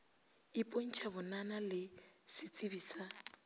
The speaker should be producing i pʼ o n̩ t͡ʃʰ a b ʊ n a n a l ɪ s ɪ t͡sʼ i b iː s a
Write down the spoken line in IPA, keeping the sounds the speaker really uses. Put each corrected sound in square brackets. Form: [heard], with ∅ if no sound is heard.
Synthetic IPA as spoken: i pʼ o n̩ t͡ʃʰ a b ʊ n a n a l ɪ s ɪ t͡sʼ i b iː s a